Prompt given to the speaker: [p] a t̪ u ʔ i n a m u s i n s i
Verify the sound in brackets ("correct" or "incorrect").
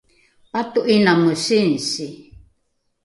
correct